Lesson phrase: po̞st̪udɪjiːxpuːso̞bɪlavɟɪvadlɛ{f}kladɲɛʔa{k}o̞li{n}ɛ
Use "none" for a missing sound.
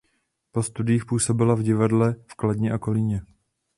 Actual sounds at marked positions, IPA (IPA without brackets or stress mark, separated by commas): f, k, ɲ